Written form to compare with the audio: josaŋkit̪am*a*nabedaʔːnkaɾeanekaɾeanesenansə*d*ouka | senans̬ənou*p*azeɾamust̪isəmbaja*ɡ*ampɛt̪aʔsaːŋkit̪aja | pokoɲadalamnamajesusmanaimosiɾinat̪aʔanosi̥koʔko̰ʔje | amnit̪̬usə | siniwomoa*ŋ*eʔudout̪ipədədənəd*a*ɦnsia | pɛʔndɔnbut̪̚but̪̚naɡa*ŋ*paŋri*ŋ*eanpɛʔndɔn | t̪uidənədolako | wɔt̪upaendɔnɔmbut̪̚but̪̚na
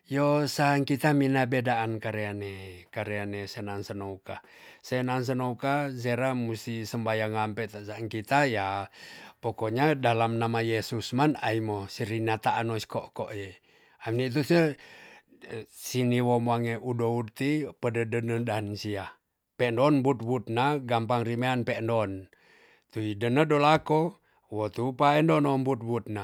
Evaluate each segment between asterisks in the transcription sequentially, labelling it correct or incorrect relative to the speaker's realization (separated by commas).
incorrect, incorrect, incorrect, incorrect, correct, correct, incorrect, incorrect